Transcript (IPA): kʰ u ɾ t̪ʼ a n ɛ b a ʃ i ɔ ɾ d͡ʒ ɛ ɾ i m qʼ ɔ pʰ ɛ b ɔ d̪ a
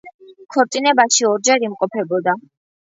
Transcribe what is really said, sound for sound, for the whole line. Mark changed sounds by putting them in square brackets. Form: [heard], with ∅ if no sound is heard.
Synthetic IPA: kʰ [ɔ] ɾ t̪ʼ [i] n ɛ b a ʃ i ɔ ɾ d͡ʒ ɛ ɾ i m qʼ ɔ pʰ ɛ b ɔ d̪ a